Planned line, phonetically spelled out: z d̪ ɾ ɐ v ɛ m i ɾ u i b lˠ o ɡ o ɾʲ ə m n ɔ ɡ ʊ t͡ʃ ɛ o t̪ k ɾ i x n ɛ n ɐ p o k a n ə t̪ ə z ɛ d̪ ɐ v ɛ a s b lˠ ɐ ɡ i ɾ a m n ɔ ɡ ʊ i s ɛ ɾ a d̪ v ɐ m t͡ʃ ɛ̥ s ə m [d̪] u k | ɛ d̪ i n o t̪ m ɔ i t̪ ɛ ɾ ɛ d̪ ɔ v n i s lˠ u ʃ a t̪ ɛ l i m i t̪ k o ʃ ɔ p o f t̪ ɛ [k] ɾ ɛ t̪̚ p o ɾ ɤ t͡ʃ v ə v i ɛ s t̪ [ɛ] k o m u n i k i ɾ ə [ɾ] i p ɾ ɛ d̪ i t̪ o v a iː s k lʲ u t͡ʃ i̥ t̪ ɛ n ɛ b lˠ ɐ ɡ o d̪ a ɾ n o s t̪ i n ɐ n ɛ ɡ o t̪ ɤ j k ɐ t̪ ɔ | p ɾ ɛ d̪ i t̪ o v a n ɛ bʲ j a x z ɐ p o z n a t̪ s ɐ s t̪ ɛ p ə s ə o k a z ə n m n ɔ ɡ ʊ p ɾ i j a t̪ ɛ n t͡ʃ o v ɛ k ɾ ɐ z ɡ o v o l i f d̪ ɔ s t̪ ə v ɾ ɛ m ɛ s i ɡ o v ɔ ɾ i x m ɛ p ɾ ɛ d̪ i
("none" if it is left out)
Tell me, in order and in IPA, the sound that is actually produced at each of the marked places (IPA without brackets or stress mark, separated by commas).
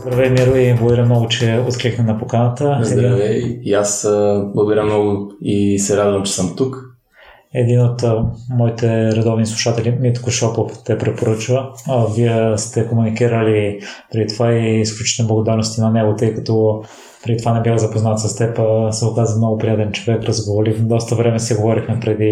t̪, p, ɛ, l